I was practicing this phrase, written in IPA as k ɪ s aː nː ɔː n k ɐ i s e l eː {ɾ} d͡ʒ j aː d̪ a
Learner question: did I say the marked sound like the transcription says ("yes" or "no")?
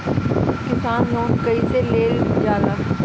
no